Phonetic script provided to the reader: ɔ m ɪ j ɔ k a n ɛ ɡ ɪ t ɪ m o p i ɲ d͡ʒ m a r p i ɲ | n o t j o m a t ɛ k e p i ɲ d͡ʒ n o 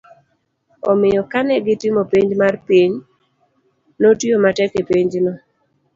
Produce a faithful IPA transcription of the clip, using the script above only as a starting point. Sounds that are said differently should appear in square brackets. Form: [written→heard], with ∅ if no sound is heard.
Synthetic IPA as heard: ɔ m ɪ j ɔ k a n ɛ ɡ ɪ t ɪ m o p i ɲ d͡ʒ m a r p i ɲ | n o t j o m a t ɛ k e p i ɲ d͡ʒ n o